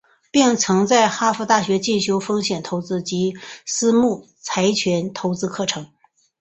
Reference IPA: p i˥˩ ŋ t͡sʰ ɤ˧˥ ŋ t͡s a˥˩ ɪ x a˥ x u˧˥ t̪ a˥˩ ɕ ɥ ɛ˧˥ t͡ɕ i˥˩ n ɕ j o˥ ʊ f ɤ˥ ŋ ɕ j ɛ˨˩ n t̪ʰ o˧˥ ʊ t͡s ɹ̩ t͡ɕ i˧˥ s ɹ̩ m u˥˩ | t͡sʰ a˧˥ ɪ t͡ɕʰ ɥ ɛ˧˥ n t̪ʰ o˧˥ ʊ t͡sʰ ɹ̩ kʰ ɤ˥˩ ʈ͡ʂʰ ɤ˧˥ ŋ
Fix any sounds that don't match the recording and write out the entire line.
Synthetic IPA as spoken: p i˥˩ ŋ t͡sʰ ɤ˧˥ ŋ t͡s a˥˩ ɪ x a˥ f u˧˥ t̪ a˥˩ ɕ ɥ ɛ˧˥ t͡ɕ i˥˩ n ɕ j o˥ ʊ f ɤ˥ ŋ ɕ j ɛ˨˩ n t̪ʰ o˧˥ ʊ t͡s ɹ̩ t͡ɕ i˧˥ s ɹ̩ m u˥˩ | t͡sʰ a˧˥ ɪ t͡ɕʰ ɥ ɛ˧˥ n t̪ʰ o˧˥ ʊ t͡s ɹ̩ kʰ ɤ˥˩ ʈ͡ʂʰ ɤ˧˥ ŋ